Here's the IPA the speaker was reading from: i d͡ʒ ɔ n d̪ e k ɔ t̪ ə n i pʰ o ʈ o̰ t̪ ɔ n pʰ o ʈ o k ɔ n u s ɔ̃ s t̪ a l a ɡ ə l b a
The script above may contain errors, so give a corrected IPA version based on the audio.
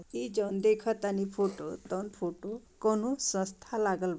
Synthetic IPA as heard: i d͡ʒ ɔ n d̪ e kʰ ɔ t̪ a n i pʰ o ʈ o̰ t̪ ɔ n pʰ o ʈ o k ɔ n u s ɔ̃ s t̪ʰ a l a ɡ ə l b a